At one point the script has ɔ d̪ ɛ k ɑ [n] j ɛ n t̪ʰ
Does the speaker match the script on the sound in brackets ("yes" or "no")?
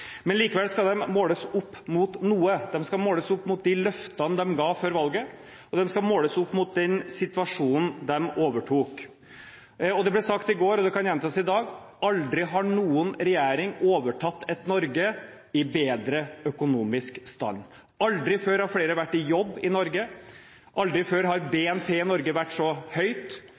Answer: yes